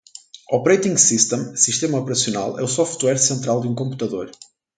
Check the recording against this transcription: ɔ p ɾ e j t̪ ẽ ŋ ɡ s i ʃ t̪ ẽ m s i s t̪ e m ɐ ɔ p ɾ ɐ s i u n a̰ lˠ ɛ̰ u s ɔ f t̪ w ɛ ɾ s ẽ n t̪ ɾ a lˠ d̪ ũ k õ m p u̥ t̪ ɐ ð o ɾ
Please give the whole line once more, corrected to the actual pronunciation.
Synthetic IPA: ɔ p ɾ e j t̪ ĩ ŋ ɡ s i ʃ t̪ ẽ m s i ʃ t̪ e m ɐ ɔ p ɾ ɐ s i u n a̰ lˠ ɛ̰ u s ɔ f t̪ w ɛ ɾ s ẽ n t̪ ɾ a lˠ d̪ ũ k õ m p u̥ t̪ ɐ ð o ɾ